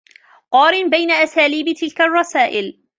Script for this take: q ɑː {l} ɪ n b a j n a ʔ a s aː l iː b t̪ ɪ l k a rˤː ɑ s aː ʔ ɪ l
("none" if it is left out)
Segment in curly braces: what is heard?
ɾ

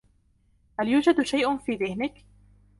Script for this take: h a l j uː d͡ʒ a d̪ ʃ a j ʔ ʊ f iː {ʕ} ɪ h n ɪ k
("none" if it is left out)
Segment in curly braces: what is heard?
ð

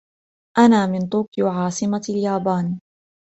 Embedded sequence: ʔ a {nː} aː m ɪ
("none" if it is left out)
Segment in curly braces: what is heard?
n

